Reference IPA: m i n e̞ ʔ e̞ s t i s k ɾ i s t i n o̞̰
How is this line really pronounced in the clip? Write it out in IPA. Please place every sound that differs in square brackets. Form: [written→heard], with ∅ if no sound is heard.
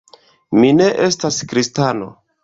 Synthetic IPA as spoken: m i n e̞ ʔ e̞ s t [i→a] s k ɾ i s t [i→a] n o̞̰